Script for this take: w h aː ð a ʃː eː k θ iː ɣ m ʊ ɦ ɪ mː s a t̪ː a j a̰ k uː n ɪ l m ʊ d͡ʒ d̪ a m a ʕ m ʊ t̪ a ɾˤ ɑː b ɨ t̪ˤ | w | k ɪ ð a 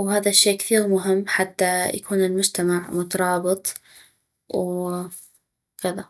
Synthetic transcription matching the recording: w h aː ð a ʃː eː k θ iː ɣ m ʊ ɦ ɪ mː ħ a t̪ː a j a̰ k uː n ɪ l m ʊ d͡ʒ t̪ a m a ʕ m ʊ t̪ ɑ ɾˤ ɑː b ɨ t̪ˤ | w | k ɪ ð a